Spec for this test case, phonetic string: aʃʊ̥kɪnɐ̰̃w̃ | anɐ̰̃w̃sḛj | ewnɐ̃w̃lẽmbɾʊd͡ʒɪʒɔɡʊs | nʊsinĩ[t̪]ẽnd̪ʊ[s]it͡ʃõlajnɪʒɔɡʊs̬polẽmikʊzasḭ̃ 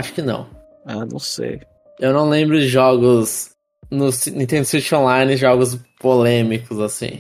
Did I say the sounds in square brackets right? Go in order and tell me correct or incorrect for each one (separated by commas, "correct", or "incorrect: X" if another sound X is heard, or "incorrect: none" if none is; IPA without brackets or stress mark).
correct, correct